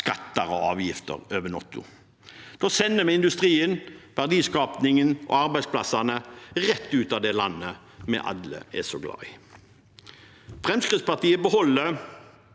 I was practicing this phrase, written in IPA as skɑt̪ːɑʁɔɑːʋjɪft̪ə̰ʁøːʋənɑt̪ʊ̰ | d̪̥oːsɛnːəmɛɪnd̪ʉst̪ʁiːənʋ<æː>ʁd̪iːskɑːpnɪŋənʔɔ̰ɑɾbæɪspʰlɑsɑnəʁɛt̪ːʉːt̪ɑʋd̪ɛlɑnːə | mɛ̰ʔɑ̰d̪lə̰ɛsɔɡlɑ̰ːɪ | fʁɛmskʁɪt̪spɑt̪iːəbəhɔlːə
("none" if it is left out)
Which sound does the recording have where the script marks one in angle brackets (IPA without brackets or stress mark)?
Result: æ